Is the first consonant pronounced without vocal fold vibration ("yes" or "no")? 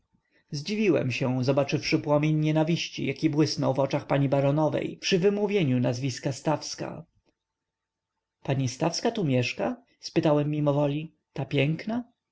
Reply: no